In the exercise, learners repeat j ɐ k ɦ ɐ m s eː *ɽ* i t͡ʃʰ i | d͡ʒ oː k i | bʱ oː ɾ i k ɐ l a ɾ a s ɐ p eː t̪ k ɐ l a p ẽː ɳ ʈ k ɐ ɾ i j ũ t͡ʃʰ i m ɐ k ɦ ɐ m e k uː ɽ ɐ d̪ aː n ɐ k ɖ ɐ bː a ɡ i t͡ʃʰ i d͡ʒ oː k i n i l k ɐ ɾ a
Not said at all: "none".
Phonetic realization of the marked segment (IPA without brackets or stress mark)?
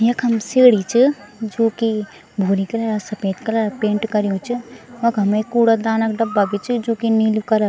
ɽ